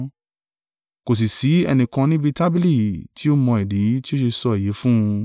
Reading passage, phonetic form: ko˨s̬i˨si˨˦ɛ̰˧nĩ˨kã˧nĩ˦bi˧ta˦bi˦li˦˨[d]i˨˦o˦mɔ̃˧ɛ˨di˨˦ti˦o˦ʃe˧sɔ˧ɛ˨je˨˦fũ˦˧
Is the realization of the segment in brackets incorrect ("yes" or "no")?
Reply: yes